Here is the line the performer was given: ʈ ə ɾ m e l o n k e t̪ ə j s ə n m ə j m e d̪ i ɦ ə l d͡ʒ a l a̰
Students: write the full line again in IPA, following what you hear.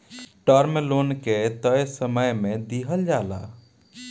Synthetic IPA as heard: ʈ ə ɾ m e l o n k e t̪ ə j s ə m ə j m e d̪ i ɦ ə l d͡ʒ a l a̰